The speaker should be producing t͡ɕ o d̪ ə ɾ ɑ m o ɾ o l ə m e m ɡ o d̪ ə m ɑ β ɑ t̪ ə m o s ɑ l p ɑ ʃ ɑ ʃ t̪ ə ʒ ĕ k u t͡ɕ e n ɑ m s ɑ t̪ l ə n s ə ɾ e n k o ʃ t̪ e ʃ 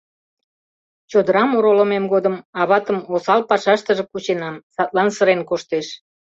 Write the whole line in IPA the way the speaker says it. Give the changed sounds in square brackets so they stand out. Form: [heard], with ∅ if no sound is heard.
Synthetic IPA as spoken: t͡ɕ o d̪ ə ɾ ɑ m o ɾ o l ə m e m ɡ o d̪ ə m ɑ β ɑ t̪ ə m o s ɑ l p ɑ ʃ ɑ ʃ t̪ ə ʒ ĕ k u t͡ɕ e n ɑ m s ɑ t̪ l [ɑ] n s ə ɾ e n k o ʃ t̪ e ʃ